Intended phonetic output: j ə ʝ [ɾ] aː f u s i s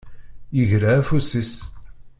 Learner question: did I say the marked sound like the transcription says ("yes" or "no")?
yes